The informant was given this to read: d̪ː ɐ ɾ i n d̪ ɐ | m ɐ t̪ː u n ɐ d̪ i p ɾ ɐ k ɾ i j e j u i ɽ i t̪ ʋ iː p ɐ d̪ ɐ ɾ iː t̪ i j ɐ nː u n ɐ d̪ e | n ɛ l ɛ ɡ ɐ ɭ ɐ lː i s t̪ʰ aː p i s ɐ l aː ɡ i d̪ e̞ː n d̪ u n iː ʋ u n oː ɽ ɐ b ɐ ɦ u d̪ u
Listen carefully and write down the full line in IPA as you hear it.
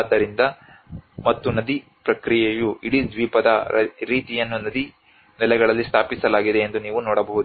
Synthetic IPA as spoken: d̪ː ɐ ɾ i n d̪ ɐ | m ɐ t̪ː u n ɐ d̪ i p ɾ ɐ k ɾ i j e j u i ɽ i d̪ ʋ iː p ɐ d̪ ɐ ɾ iː t̪ i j ɐ nː u n ɐ d̪ i | n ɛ l ɛ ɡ ɐ ɭ ɐ lː i s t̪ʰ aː p i s ɐ l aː ɡ i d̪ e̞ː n d̪ u n iː ʋ u n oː ɽ ɐ b ɐ ɦ u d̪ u